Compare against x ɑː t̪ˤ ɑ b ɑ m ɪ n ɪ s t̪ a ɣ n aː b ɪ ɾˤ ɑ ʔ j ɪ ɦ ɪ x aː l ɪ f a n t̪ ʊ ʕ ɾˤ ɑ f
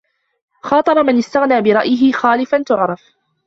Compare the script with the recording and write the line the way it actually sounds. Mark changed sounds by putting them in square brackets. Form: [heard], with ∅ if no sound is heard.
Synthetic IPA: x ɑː t̪ˤ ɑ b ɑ m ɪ n ɪ s t̪ a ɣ n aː b ɪ ɾˤ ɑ ʔ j ɪ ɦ ɪ x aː l ɪ f a n t̪ ʊ ʕ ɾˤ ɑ f

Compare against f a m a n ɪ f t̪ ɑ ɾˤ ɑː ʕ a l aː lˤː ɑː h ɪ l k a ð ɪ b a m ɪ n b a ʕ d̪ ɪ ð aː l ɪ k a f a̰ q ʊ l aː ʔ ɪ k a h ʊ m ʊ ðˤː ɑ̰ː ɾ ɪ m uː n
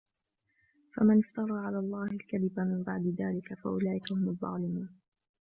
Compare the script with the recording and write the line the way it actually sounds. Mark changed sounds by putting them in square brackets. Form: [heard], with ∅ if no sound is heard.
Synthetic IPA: f a m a n ɪ f t̪ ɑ ɾˤ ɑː ʕ a l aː lˤː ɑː h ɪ l k a ð ɪ b a m ɪ [m] b a ʕ d̪ ɪ ð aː l ɪ k a f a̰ [ʔ] ʊ l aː ʔ ɪ k a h ʊ m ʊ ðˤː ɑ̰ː [l] ɪ m uː n

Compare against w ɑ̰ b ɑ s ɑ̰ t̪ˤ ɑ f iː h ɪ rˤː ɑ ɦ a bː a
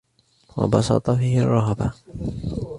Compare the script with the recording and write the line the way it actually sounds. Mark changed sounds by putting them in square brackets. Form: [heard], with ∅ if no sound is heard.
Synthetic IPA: w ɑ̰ b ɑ s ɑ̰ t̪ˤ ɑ f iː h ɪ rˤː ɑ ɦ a [b] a

